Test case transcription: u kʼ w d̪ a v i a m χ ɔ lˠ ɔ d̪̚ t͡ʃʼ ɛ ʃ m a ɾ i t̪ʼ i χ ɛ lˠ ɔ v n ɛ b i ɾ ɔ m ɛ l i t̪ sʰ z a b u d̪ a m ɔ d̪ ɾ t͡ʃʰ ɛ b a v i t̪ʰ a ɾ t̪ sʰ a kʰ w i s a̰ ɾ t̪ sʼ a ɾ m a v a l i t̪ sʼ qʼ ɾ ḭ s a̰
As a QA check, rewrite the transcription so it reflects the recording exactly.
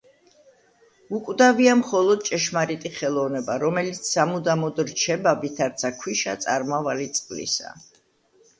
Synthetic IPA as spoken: u kʼ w d̪ a v i a m χ ɔ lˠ ɔ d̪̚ t͡ʃʼ ɛ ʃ m a ɾ i t̪ʼ i χ ɛ lˠ ɔ v n ɛ b a ɾ ɔ m ɛ l i t̪ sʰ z a m u d̪ a m ɔ d̪ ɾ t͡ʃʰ ɛ b a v i t̪ʰ a ɾ t̪ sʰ a kʰ w i ʃ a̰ t̪ sʼ a ɾ m a v a l i t̪ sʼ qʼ l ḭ s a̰

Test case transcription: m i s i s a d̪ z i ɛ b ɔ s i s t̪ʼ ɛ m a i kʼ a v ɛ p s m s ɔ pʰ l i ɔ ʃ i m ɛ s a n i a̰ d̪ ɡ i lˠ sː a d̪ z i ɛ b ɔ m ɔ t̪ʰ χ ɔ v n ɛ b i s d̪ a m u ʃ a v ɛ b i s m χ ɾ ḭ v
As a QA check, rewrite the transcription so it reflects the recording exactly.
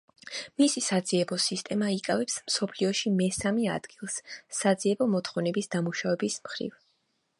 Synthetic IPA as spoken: m i s i s a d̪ z i ɛ b ɔ s i s t̪ʼ ɛ m a i kʼ a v ɛ p s m s ɔ pʰ l i ɔ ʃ i m ɛ s a m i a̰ d̪ ɡ i lˠ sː a d̪ z i ɛ b ɔ m ɔ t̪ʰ χ ɔ v n ɛ b i s d̪ a m u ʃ a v ɛ b i s m χ ɾ ḭ v

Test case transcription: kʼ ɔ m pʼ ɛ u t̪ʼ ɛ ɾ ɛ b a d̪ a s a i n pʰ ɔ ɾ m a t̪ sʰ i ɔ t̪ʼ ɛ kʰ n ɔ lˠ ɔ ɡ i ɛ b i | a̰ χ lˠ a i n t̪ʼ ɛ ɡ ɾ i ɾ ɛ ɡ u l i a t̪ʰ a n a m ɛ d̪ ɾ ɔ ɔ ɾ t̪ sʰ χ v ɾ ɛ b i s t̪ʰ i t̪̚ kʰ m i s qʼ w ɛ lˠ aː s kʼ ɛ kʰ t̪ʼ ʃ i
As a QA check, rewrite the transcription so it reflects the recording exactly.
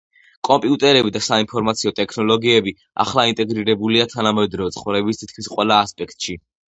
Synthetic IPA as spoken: kʼ ɔ m pʼ i u t̪ʼ ɛ ɾ ɛ b i d̪ a s a i n pʰ ɔ ɾ m a t̪ sʰ i ɔ t̪ʼ ɛ kʰ n ɔ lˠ ɔ ɡ i ɛ b i | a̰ χ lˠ a i n t̪ʼ ɛ ɡ ɾ i ɾ ɛ b u l i a t̪ʰ a n a m ɛ d̪ ɾ ɔ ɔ t̪ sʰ χ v ɾ ɛ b i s t̪ʰ i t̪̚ kʰ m i s qʼ w ɛ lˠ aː s pʼ ɛ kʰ t̪ʼ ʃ i

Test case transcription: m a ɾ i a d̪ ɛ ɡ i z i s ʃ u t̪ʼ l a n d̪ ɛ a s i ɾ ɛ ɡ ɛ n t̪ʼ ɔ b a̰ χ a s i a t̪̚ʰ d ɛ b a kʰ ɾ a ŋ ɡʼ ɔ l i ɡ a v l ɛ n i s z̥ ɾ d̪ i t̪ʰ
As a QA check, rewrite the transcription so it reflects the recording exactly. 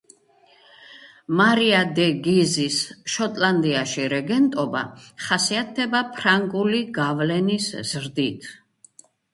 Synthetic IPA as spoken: m a ɾ i a d̪ ɛ ɡ i z i s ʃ ɔ t̪ʼ l a n d̪ i a ʃ i ɾ ɛ ɡ ɛ n t̪ʼ ɔ b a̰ χ a s i a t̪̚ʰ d ɛ b a pʰ ɾ a ŋ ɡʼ u l i ɡ a v l ɛ n i s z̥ ɾ d̪ i t̪ʰ

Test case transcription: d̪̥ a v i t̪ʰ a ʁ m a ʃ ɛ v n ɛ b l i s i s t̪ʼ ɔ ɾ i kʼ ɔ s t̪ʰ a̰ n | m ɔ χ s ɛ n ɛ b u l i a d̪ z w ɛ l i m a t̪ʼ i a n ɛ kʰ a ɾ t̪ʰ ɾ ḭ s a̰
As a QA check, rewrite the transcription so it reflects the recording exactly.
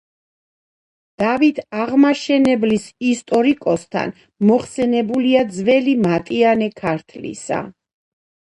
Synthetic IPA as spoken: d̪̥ a v i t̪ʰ a ʁ m a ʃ ɛ n ɛ b l i s i s t̪ʼ ɔ ɾ i kʼ ɔ s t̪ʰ a̰ n | m ɔ χ s ɛ n ɛ b u l i a d̪ z v ɛ l i m a t̪ʼ i a n ɛ kʰ a ɾ t̪ʰ l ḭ s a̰

